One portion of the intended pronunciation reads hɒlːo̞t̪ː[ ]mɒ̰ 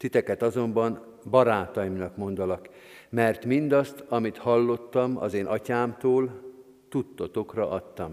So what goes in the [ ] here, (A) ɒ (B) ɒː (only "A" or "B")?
A